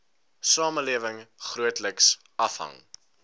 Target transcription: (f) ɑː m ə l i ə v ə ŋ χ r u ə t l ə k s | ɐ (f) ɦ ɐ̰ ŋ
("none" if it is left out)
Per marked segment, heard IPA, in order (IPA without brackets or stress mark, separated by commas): s, f